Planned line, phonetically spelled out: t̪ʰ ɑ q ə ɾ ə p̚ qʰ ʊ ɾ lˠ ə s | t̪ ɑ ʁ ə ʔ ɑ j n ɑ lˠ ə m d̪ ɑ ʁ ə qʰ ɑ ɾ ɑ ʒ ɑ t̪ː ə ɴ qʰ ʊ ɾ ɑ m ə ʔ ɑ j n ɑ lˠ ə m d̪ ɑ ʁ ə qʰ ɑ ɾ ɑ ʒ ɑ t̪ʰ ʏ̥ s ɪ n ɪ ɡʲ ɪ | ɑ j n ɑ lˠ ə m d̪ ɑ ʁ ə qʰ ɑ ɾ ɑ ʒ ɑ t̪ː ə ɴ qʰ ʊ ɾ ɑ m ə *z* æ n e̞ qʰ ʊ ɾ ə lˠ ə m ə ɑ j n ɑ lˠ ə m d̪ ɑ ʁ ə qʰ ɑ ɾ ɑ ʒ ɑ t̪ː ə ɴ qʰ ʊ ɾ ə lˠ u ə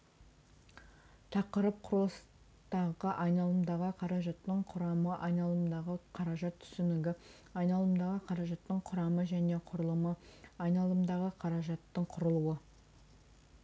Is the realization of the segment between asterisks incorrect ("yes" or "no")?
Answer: yes